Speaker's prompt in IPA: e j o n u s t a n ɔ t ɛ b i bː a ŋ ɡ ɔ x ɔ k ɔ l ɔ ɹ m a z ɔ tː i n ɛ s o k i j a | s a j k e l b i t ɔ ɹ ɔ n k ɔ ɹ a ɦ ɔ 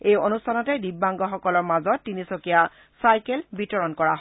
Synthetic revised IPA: e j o n u s tʰ a n ɔ t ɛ d i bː a ŋ ɡ ɔ x ɔ k ɔ l ɔ ɹ m a z ɔ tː i n i s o k i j a | s a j k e l b i t ɔ ɹ ɔ n k ɔ ɹ a ɦ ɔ